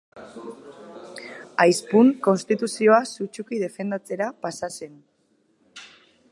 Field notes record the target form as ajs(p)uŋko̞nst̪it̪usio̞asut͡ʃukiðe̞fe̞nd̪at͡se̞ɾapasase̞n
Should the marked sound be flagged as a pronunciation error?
no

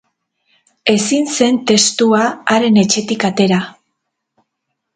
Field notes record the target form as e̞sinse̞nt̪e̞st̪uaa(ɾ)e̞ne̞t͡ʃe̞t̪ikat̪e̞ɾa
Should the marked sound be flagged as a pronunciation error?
no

